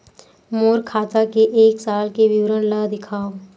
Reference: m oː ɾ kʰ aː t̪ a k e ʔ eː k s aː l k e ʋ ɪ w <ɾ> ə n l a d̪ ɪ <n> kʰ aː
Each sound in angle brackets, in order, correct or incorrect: correct, incorrect

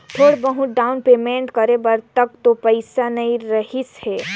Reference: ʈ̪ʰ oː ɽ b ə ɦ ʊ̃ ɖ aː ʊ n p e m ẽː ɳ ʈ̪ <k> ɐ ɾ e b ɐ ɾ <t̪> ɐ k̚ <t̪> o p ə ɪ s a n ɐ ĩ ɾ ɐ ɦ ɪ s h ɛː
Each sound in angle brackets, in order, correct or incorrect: correct, correct, correct

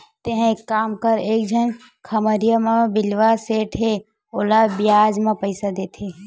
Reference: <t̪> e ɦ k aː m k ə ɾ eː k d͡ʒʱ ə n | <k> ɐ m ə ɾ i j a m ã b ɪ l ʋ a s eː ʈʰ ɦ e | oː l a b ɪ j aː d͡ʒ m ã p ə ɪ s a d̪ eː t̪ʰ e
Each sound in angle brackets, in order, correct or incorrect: correct, incorrect

